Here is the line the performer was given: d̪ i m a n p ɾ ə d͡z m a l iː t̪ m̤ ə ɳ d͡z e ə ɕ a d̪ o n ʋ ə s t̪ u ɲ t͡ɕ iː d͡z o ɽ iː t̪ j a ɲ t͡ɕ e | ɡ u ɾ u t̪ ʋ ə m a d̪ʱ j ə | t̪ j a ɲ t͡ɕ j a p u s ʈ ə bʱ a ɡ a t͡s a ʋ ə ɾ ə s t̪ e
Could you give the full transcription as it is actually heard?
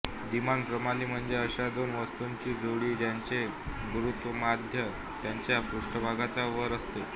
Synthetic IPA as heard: d̪ i m a n p ɾ ə m a l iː m̤ ə ɳ d͡z e ə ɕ a d̪ o n ʋ ə s t̪ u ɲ t͡ɕ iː d͡z o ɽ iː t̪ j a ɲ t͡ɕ e | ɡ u ɾ u t̪ ʋ ə m a d̪ʱ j ə | t̪ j a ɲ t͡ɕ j a p u ʂ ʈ ə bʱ a ɡ a t͡s a ʋ ə ɾ ə s t̪ e